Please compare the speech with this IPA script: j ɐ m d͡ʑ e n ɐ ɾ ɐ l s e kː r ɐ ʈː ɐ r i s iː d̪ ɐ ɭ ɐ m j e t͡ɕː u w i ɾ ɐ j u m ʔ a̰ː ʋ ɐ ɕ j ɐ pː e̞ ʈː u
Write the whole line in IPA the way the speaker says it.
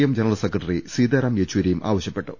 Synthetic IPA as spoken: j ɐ m d͡ʑ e n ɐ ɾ ɐ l s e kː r ɐ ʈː ɐ r i s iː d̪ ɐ ɾ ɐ m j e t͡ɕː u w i ɾ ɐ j u m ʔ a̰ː ʋ ɐ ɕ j ɐ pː e̞ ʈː u